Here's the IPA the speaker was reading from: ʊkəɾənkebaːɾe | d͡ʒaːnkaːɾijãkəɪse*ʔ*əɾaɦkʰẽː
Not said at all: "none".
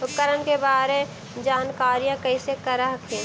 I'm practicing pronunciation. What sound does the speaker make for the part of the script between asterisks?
k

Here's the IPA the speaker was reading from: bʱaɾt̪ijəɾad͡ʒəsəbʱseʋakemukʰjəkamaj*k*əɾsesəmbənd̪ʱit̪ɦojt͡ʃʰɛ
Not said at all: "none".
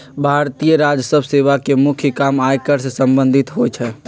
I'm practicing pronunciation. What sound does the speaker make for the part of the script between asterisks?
k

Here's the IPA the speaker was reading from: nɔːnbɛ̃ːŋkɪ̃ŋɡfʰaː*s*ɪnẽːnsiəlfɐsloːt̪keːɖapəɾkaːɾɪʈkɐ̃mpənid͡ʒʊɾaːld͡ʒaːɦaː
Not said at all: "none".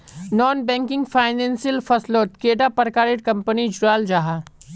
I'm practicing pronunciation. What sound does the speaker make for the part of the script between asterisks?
none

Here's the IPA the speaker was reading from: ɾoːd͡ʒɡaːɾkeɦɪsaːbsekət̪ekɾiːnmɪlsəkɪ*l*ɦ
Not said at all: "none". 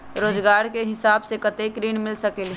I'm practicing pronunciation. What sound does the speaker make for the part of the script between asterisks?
l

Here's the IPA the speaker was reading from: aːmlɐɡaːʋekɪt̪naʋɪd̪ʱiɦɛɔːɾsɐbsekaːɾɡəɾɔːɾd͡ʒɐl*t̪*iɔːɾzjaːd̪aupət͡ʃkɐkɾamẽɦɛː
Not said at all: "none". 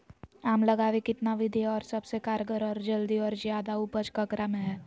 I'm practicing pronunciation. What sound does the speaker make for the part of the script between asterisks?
d̪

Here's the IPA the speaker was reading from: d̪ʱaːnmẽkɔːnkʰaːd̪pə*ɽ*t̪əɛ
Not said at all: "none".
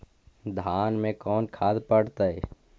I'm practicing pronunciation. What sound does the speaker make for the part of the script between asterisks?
ɽ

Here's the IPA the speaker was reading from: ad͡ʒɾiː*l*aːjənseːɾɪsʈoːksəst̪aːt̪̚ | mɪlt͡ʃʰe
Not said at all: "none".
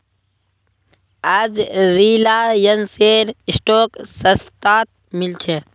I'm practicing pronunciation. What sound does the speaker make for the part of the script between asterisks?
l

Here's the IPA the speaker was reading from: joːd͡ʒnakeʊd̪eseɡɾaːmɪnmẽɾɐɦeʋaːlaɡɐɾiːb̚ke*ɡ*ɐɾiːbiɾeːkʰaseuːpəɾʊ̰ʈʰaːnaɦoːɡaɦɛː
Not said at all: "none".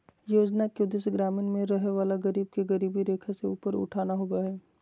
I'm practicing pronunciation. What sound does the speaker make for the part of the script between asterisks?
ɡ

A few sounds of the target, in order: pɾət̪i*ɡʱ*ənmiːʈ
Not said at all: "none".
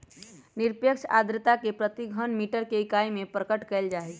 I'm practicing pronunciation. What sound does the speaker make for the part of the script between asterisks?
ɡʱ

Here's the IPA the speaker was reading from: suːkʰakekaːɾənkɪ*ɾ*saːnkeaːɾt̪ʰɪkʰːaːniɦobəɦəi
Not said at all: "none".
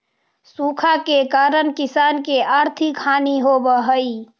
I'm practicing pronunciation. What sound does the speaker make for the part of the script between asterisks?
none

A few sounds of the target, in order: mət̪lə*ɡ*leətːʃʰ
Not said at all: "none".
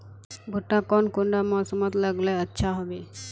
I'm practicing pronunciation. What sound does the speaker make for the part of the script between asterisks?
ɡ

